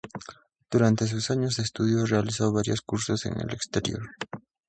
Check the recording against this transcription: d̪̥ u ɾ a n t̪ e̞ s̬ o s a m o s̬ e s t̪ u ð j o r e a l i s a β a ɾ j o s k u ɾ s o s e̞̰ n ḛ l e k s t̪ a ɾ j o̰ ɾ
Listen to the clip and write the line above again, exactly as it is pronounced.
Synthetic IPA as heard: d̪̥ u ɾ a n t̪ e̞ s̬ u s a ɲ o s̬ e s t̪ u ð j o r e a l i s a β a ɾ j o s k u ɾ s o s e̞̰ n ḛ l e k s t̪ e ɾ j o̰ ɾ

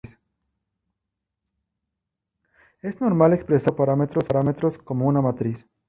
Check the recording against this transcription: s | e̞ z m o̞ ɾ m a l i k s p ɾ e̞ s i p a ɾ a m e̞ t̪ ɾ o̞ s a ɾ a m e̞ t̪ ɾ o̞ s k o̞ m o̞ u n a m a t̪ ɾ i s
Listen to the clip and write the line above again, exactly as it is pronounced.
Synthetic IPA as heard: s | e̞ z n o̞ ɾ m a l e k s p ɾ e̞ s a p a ɾ a m e̞ t̪ ɾ o̞ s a ɾ a m e̞ t̪ ɾ o̞ s k o̞ m o̞ u n a m a t̪ ɾ i s

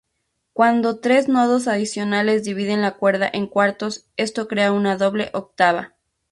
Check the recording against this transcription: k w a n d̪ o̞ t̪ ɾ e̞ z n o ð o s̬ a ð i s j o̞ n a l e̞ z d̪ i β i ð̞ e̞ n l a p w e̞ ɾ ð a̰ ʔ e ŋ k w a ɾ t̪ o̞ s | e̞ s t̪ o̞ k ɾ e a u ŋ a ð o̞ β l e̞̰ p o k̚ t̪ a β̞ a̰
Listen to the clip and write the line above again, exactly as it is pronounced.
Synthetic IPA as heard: k w a n d̪ o̞ t̪ ɾ e̞ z n o ð o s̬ a ð i s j o̞ n a l e̞ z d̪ i β i ð̞ e̞ n l a k w e̞ ɾ ð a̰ ʔ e ŋ k w a ɾ t̪ o̞ s | e̞ s t̪ o̞ k ɾ e a u n a ð o̞ β l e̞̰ ʔ o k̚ t̪ a β̞ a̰

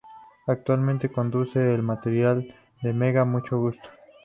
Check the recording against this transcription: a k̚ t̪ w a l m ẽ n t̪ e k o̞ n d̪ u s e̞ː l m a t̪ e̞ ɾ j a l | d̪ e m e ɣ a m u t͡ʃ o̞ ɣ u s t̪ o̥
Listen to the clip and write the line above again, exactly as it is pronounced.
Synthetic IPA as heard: a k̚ t̪ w a l m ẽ n t̪ e k o̞ n d̪ u s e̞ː l m a t̪ e̞ ɾ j a l | d̪ e m e ɣ a m u t͡ʃ o̞ ɣ u s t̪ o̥

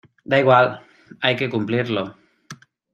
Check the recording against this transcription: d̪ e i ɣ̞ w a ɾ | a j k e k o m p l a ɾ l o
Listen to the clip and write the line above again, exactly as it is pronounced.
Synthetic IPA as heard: d̪ a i ɣ̞ w a l | a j k e k u m p l i ɾ l o

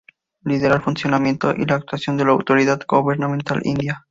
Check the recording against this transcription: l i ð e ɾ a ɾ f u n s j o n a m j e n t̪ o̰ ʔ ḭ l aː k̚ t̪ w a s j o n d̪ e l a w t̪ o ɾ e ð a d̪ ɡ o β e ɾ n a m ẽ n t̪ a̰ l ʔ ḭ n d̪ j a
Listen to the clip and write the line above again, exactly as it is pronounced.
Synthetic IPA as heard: l i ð e ɾ a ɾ f u n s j o n a m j e n t̪ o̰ ʔ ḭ l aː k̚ t̪ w a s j o n d̪ e l a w t̪ o ɾ i ð a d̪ ɡ o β e ɾ n a m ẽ n t̪ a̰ l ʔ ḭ n d̪ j a

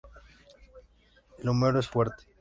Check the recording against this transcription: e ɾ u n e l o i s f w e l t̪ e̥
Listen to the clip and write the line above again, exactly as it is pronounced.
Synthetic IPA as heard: e l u m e ɾ o e s f w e ɾ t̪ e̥

